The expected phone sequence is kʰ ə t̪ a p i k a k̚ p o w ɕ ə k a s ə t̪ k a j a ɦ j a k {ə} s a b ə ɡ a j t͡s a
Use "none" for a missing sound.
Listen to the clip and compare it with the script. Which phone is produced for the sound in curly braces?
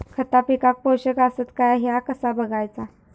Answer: ə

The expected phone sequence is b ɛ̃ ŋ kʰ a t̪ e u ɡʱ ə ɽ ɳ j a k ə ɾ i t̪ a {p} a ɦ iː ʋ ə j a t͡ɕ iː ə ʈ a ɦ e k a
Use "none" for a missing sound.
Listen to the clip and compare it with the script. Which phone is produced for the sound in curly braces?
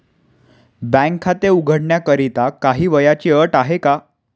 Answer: k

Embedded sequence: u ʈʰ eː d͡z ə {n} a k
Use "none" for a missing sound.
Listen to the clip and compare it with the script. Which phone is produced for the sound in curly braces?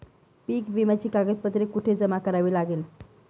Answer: m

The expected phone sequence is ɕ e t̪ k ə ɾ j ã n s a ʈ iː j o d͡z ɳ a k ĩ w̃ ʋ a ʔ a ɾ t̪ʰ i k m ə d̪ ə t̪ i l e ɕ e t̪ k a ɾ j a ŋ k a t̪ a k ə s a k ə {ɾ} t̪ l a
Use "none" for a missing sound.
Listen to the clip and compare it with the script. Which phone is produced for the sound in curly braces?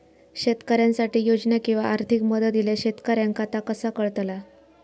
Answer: ɭ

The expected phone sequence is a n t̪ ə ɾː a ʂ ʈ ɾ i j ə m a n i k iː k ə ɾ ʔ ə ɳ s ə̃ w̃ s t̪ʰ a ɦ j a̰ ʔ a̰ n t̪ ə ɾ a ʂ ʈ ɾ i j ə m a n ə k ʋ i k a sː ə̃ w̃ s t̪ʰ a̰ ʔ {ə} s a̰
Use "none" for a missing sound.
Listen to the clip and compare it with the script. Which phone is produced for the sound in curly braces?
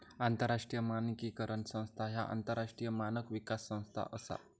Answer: ə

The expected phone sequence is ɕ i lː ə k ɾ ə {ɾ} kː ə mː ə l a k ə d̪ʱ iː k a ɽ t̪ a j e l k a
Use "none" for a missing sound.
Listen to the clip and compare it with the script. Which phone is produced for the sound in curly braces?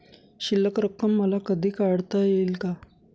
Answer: none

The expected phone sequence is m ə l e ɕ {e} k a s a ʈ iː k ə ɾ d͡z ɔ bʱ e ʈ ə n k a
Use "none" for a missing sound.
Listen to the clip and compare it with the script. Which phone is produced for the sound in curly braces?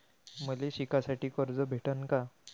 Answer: i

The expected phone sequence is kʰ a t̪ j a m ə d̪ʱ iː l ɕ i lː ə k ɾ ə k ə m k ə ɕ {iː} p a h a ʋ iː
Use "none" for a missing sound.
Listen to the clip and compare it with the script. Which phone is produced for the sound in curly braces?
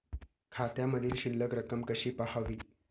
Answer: iː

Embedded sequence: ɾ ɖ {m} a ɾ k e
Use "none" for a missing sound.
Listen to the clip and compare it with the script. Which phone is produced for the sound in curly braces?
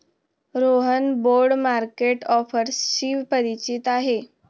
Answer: m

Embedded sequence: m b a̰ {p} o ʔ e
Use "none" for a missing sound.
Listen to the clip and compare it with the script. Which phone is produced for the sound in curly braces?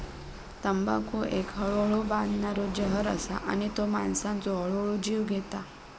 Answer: k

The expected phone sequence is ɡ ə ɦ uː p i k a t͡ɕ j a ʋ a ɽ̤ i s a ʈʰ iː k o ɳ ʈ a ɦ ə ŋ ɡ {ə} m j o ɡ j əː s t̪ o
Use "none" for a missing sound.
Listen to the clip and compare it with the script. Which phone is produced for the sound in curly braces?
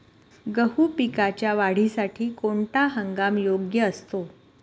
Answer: a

